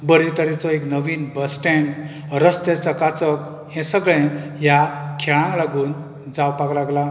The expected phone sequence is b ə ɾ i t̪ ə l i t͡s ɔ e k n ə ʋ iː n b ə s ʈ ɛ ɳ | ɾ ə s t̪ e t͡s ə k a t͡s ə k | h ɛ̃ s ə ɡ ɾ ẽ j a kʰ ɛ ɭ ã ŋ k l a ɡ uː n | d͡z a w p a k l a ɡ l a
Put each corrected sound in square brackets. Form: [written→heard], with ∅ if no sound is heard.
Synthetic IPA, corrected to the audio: b ə ɾ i t̪ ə [l→ɾ] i t͡s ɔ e k n ə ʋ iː n b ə s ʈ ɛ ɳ | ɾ ə s t̪ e t͡s ə k a t͡s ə k | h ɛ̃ s ə ɡ [ɾ→ɭ] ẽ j a kʰ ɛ ɭ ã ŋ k l a ɡ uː n | d͡z a w p a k l a ɡ l a